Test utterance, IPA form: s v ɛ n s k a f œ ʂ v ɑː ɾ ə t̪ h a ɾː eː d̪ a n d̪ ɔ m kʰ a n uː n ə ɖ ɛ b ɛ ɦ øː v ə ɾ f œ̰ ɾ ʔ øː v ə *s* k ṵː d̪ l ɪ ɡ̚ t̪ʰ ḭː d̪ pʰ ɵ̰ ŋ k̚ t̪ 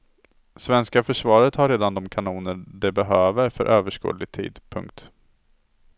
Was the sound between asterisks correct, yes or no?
no